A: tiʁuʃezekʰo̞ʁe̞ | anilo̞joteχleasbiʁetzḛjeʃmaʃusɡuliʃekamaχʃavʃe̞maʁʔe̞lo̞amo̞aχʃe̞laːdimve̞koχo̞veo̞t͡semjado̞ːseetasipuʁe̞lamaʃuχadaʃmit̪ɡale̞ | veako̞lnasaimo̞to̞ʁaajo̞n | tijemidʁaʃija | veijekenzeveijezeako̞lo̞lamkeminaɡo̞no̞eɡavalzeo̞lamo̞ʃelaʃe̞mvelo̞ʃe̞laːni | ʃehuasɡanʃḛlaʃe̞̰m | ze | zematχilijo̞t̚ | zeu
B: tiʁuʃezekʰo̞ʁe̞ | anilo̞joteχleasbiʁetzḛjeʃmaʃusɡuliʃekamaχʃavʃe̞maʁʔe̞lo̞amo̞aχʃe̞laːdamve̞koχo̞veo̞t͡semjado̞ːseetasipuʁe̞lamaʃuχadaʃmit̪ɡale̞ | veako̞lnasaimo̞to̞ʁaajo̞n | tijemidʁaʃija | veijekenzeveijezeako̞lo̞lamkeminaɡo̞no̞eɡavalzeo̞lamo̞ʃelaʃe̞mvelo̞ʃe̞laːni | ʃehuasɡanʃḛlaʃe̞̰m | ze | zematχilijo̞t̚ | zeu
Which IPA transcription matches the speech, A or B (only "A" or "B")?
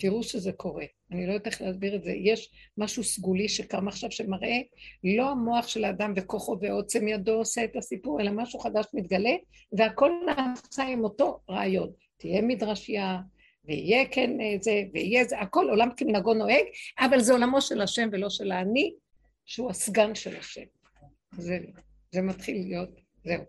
B